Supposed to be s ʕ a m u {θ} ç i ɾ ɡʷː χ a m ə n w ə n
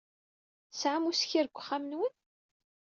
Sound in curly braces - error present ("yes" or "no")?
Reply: yes